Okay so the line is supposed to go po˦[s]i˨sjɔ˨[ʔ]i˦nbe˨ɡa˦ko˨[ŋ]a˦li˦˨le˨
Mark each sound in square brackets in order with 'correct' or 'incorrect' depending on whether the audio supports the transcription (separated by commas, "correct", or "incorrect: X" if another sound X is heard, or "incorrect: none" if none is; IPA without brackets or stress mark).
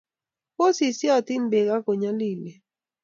correct, incorrect: t, incorrect: ɲ